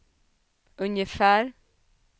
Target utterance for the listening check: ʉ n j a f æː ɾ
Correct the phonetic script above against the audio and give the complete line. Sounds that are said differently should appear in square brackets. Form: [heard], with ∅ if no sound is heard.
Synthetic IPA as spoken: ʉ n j [ə] f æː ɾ